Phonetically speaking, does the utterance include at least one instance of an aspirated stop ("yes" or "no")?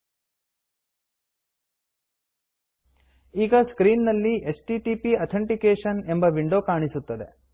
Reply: yes